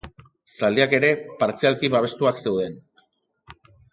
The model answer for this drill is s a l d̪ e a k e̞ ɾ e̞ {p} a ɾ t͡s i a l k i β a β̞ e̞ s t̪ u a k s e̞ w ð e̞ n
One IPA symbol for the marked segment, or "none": p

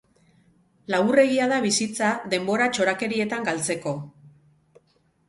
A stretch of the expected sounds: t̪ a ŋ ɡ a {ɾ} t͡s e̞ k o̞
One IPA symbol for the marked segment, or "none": l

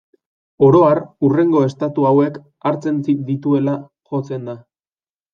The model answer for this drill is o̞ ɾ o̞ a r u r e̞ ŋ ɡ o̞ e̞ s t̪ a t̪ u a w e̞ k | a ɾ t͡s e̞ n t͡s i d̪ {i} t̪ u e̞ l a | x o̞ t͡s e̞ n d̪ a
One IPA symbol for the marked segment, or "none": i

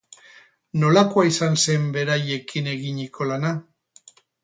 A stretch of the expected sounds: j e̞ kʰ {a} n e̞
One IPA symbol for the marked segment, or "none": i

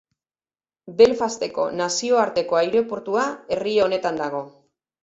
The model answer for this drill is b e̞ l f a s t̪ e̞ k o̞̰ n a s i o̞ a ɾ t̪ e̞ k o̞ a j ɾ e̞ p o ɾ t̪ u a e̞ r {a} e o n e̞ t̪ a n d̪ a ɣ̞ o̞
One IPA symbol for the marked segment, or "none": i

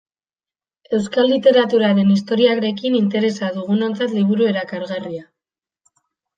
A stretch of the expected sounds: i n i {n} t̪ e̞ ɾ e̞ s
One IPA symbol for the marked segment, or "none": n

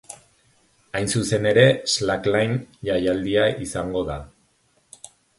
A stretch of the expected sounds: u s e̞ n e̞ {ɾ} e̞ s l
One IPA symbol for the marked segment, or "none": ɾ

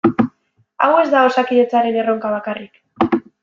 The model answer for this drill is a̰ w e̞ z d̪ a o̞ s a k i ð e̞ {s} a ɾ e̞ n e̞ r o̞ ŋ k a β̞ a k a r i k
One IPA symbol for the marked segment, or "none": t͡s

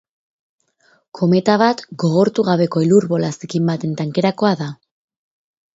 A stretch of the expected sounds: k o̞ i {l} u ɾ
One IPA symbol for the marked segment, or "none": l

